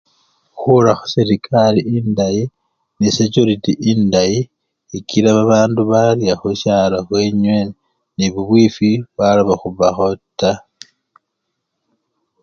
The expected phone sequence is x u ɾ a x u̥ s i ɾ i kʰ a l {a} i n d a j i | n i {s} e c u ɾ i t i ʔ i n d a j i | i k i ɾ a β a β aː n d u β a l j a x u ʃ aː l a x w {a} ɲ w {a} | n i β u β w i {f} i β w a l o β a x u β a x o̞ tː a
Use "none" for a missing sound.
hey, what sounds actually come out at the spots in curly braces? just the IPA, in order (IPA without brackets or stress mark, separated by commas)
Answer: i, s, e, e, f